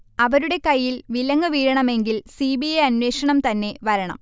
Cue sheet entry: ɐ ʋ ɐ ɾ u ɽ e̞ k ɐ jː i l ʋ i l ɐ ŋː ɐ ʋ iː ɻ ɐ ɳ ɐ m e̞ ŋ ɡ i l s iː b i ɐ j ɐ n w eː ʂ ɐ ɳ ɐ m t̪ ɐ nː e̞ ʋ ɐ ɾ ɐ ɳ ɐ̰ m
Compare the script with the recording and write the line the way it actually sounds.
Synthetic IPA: ɐ ʋ ɐ ɾ u ɽ e̞ k ɐ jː i l ʋ i l ɐ ŋː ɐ ʋ iː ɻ ɐ ɳ ɐ m e̞ ŋ ɡ i l s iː b i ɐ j ɐ n w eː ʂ ɐ ɳ ɐ m t̪ ɐ nː e̞ ʋ ɐ ɾ ɐ ɳ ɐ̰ m